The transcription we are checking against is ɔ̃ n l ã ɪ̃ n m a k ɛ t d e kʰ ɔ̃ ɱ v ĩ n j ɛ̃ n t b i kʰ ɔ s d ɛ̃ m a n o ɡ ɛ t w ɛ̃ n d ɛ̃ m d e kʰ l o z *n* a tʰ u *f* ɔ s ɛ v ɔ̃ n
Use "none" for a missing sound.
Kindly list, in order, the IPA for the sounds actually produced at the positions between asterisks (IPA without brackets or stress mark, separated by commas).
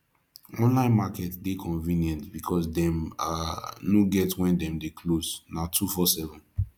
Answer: n, f